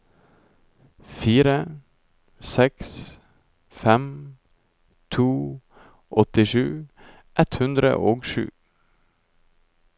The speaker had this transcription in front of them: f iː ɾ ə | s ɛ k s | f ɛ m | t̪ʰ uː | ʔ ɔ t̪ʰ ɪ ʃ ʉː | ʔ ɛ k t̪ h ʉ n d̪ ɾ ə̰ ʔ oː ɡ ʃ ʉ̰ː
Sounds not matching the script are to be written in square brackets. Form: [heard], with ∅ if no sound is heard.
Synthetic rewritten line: f iː ɾ ə | s ɛ k s | f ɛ m | t̪ʰ uː | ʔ ɔ [t̪] ɪ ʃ ʉː | ʔ ɛ [∅] t̪ h ʉ n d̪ ɾ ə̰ ʔ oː ɡ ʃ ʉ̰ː